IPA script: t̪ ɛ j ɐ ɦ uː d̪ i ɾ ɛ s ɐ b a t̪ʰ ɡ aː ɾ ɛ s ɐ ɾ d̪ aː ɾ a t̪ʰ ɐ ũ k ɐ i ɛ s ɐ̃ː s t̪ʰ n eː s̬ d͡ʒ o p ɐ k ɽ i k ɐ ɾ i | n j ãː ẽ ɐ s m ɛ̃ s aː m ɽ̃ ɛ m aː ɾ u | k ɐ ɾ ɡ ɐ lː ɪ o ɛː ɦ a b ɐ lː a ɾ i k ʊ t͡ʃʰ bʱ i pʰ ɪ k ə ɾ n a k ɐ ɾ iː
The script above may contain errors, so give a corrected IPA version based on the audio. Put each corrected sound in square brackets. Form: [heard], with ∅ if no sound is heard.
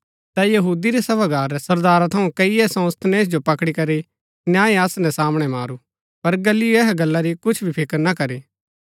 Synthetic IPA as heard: t̪ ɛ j ɐ ɦ uː d̪ i ɾ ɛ s ɐ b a [∅] ɡ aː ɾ ɛ s ɐ ɾ d̪ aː ɾ a t̪ʰ ɐ ũ k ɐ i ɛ s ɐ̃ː s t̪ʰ n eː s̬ d͡ʒ o p ɐ k ɽ i k ɐ ɾ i | n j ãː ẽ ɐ s [n] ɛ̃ s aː m ɽ̃ ɛ m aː ɾ u | [p] ɐ ɾ ɡ ɐ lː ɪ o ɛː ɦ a [ɡ] ɐ lː a ɾ i k ʊ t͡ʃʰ bʱ i pʰ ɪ k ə ɾ n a k ɐ ɾ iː